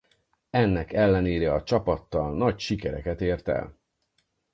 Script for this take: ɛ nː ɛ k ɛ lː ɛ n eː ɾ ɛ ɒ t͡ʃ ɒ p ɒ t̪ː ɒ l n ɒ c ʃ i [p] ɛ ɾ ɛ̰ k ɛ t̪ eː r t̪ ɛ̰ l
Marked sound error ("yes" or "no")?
yes